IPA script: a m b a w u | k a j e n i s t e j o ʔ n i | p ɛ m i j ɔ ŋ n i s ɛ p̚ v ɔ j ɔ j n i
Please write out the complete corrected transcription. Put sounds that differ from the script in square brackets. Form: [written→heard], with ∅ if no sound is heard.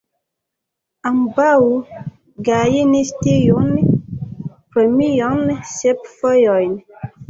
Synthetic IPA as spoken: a m b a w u | [k→ɡ] a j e n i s t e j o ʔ n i | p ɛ m i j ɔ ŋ n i s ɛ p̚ [v→f] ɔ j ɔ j n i